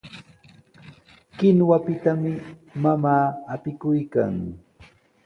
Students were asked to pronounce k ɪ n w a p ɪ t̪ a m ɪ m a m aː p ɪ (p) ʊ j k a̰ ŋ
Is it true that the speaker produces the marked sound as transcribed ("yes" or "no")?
no